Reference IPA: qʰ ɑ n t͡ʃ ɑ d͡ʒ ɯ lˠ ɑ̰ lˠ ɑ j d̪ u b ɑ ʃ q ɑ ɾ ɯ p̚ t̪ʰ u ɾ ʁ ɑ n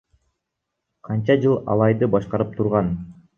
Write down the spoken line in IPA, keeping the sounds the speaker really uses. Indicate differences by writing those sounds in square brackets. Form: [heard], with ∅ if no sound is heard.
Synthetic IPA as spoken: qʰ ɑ n t͡ʃ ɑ d͡ʒ ɯ lˠ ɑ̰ lˠ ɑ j d̪ [ɯ] b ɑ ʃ q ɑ ɾ ɯ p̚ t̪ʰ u ɾ ʁ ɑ n